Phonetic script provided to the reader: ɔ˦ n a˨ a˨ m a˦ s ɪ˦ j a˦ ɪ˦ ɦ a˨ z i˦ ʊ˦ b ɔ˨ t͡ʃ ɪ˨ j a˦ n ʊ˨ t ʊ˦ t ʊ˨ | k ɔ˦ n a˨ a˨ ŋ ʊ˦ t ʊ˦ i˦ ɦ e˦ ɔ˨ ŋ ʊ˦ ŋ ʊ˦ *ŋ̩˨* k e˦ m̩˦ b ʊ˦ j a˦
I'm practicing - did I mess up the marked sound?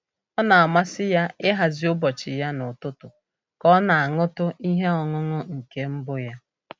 no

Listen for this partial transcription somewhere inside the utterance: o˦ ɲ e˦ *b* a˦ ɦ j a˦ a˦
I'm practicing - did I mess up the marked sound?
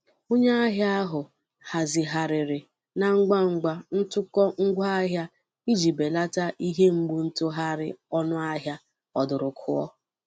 yes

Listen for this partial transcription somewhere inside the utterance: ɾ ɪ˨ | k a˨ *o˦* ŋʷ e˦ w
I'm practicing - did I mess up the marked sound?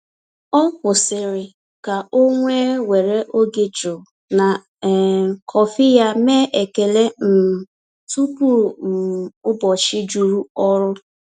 no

